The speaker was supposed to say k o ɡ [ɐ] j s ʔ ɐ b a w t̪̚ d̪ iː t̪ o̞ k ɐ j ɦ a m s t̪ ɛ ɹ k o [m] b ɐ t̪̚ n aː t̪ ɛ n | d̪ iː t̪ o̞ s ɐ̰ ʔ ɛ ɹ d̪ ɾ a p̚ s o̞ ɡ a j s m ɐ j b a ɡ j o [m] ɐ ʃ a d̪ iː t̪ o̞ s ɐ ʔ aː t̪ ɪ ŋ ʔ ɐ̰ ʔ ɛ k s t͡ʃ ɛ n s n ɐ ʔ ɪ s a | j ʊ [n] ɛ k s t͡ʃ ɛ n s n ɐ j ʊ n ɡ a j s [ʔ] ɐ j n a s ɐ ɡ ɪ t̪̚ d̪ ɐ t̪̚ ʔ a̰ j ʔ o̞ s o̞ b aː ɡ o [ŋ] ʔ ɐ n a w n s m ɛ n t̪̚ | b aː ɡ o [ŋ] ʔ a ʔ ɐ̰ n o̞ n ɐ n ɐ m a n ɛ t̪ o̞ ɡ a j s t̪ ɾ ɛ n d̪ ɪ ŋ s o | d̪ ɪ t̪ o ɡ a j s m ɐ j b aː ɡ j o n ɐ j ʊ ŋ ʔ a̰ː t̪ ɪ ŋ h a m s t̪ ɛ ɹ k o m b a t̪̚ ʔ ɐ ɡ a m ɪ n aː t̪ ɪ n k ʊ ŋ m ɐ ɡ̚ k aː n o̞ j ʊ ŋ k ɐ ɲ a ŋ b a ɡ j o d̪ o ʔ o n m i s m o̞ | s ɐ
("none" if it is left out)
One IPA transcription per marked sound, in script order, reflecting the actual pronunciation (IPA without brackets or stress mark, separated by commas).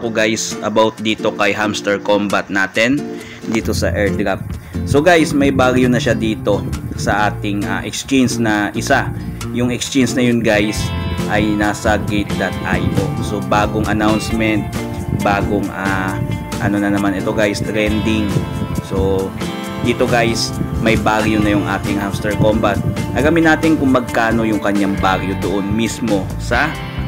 a, m, n, ŋ, ʔ, ŋ, ŋ